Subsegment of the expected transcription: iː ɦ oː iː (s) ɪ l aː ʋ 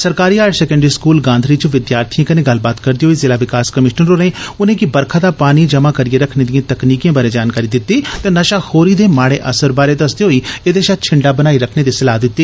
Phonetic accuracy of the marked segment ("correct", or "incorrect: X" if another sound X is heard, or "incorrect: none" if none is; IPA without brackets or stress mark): incorrect: z